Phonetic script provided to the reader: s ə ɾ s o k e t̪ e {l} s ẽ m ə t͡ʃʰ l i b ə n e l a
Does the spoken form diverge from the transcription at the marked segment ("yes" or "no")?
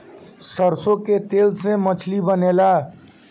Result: no